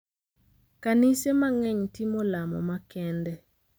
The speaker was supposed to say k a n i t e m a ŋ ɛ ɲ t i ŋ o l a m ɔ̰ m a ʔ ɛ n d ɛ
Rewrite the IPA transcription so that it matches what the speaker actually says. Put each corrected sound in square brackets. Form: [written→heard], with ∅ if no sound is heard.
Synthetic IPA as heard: k a n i [t→s] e m a ŋ ɛ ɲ t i [ŋ→m] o l a m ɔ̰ m a [ʔ→k] ɛ n d ɛ